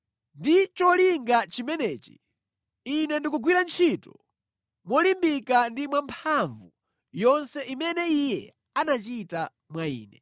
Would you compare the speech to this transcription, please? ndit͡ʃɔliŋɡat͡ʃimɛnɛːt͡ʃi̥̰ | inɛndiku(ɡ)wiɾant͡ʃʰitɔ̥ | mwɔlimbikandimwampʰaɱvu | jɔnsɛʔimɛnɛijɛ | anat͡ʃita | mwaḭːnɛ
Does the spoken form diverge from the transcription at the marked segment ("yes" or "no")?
no